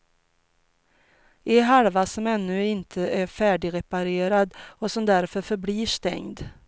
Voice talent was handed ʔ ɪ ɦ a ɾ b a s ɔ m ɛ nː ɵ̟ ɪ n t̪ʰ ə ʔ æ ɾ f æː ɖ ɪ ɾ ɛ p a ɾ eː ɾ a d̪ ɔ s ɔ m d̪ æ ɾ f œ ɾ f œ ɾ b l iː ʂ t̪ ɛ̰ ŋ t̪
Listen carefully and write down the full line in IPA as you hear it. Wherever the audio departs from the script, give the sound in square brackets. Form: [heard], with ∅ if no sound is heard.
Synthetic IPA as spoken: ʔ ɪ ɦ a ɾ [v] a s ɔ m ɛ nː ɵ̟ ɪ n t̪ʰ ə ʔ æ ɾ f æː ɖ ɪ ɾ ɛ p a ɾ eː ɾ a d̪ ɔ s ɔ m d̪ æ ɾ f œ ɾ f œ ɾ b l iː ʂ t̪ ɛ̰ ŋ [d̪]